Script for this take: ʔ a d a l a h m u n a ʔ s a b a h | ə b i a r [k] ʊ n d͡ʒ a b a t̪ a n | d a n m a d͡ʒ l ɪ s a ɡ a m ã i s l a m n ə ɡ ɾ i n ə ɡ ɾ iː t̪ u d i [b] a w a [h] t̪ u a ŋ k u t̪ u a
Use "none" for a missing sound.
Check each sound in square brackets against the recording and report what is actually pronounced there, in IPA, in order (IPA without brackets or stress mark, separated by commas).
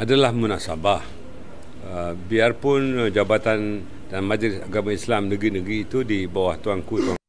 p, b, h